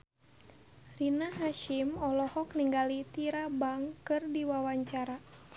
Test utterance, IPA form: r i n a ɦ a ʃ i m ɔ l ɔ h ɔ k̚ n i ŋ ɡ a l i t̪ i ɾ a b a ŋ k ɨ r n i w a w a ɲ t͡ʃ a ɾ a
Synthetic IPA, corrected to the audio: r i n a ɦ a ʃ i m ɔ l ɔ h ɔ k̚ n i ŋ ɡ a l i t̪ i ɾ a b a ŋ k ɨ r d i w a w a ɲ t͡ʃ a ɾ a